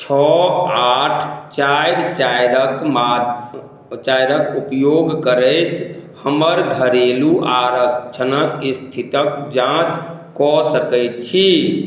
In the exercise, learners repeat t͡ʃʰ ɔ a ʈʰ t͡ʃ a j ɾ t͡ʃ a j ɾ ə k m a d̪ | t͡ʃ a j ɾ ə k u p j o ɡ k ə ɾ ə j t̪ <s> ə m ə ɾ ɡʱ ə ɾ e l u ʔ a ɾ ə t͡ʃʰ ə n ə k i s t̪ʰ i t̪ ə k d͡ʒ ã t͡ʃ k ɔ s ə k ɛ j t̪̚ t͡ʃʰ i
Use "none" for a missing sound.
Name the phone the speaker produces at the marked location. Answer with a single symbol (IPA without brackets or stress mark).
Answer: h